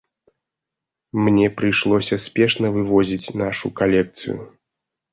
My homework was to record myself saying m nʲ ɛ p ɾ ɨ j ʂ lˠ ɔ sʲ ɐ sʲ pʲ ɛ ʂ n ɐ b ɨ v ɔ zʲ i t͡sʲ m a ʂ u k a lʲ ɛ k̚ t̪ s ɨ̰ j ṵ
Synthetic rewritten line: m nʲ ɛ p ɾ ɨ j ʂ lˠ ɔ sʲ ɐ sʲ pʲ ɛ ʂ n ɐ v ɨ v ɔ zʲ i t͡sʲ n a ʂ u k a lʲ ɛ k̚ t̪ s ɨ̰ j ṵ